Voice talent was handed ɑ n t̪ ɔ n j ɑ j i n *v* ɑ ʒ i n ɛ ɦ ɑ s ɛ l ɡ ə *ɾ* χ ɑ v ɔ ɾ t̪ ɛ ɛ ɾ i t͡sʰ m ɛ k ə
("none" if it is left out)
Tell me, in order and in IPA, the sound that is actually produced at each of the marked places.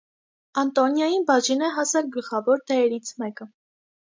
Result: b, l

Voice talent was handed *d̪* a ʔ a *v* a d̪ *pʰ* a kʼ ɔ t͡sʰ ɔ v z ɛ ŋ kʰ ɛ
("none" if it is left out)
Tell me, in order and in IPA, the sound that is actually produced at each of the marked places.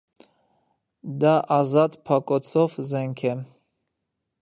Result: d̪, z, pʰ

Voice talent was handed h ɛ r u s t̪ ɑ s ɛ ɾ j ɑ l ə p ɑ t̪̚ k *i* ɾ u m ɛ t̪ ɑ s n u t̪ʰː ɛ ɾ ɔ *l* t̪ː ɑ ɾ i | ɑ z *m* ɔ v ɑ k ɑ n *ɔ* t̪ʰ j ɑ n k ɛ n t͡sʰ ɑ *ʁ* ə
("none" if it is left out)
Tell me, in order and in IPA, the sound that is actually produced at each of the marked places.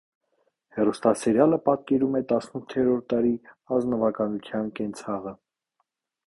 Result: ɛ, ɾ, n, u, ʁ

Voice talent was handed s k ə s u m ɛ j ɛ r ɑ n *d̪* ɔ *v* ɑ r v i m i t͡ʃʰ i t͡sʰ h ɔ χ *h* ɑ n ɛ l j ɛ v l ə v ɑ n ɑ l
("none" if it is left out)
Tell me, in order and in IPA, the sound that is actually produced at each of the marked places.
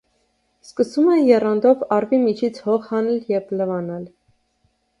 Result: d̪, v, h

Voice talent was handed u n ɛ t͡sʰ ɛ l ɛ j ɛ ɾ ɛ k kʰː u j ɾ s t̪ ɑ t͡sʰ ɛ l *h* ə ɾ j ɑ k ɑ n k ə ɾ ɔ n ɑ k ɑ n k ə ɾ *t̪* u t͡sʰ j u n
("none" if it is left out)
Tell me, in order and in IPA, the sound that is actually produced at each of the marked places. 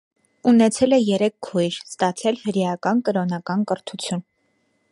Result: h, t̪ʰ

